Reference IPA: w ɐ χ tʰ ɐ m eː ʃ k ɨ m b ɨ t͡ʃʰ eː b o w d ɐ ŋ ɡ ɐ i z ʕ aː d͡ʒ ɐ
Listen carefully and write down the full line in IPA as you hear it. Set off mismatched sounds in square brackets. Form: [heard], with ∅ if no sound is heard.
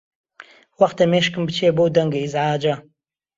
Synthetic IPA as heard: w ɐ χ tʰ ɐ m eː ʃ k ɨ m b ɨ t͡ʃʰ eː b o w d ɐ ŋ ɡ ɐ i z ʕ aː d͡ʒ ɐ

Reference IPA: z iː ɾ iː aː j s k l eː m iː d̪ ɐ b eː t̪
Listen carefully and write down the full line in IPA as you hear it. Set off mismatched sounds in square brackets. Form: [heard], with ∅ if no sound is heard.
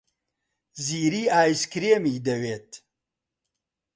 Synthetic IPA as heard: z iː ɾ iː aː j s k [ɾ] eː m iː d̪ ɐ [w] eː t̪

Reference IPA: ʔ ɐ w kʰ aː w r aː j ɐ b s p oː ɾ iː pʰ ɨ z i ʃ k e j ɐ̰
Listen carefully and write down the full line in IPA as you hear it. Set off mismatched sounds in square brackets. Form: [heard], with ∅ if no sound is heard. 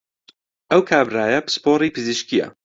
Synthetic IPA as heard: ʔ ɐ w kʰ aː [b] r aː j ɐ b s p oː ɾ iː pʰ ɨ z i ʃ k [i] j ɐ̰

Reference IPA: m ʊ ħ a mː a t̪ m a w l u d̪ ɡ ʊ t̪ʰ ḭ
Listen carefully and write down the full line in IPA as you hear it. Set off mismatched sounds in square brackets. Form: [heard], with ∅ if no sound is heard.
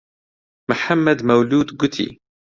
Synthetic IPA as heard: m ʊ ħ a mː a [d̪] m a w l [uː] d̪ ɡ ʊ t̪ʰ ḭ

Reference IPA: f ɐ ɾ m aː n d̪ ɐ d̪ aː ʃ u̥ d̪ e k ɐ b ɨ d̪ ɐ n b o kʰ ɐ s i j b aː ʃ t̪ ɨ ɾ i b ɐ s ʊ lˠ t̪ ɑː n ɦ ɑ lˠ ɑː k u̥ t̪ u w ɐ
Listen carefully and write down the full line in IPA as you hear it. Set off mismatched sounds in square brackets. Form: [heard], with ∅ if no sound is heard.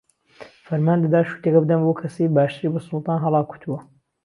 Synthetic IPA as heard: f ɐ ɾ m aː n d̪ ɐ d̪ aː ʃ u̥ [t̪] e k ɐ b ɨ d̪ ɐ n b o kʰ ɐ s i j b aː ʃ t̪ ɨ ɾ i b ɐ s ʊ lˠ t̪ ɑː n ɦ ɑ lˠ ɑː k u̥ t̪ u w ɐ

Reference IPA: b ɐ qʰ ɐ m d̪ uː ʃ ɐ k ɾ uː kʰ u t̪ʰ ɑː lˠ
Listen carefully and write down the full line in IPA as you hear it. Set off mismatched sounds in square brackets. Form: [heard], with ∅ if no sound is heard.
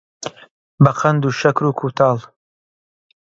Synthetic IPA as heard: b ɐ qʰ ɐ [n] d̪ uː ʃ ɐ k ɾ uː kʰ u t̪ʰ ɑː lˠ

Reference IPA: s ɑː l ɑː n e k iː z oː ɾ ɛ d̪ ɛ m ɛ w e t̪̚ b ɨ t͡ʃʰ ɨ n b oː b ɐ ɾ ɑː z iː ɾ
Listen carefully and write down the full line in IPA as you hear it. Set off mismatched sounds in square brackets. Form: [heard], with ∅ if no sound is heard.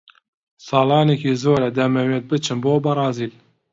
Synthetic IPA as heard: s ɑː l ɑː n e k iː z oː ɾ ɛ d̪ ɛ m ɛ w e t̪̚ b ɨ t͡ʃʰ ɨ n b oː b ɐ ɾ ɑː z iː [l]

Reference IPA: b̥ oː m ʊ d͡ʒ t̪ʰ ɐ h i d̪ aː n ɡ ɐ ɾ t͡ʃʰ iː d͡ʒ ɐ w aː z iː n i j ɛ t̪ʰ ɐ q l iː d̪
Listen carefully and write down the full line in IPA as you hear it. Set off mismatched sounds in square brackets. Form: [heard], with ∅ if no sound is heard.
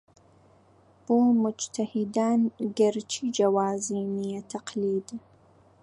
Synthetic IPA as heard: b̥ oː m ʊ d͡ʒ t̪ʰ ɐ h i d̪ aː n ɡ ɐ ɾ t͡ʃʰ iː d͡ʒ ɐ w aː z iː n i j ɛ t̪ʰ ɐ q l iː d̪

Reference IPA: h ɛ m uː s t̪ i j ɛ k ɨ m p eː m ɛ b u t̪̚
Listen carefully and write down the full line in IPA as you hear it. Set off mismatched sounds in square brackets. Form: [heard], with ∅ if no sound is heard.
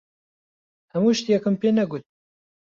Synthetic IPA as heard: h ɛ m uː [ʃ] t̪ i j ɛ k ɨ m p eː [n] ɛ [ɡ] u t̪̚

